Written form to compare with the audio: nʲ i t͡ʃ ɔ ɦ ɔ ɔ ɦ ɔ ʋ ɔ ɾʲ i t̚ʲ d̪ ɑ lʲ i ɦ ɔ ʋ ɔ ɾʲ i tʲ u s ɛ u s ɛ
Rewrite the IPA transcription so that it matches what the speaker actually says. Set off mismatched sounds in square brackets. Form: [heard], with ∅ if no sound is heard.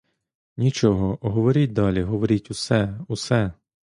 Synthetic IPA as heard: nʲ i t͡ʃ ɔ ɦ ɔ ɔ ɦ ɔ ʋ ɔ ɾʲ i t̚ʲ d̪ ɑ lʲ i ɦ ɔ ʋ ɔ ɾʲ i tʲ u s ɛ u s ɛ